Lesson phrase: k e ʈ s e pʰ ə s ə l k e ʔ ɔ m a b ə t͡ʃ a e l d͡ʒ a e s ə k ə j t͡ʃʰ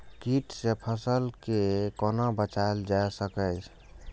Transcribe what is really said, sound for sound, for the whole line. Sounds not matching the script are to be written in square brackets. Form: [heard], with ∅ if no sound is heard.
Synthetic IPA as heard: k [i] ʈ s e pʰ ə s ə l k e [k] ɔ [n] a b ə t͡ʃ a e l d͡ʒ a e s ə k ə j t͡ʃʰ